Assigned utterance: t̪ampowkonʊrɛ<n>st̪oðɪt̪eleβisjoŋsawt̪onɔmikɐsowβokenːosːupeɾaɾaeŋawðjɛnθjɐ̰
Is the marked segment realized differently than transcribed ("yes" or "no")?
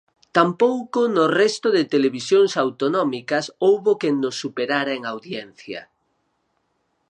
yes